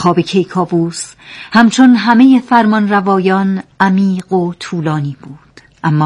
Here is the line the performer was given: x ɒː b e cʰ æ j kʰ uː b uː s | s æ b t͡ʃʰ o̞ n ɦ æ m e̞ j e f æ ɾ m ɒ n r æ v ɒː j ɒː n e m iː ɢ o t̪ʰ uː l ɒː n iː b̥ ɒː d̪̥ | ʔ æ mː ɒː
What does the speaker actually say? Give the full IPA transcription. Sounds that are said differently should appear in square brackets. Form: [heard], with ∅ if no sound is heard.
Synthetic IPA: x ɒː b e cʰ [e] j kʰ [ɒː] b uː s | [h] æ [m] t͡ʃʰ o̞ n ɦ æ m e̞ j e f æ ɾ m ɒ n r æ v ɒː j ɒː n [æ] m iː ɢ o t̪ʰ uː l ɒː n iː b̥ [uː] d̪̥ | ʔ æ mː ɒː